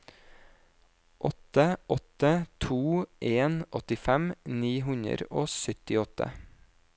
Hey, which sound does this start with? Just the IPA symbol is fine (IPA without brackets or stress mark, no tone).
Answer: ʔ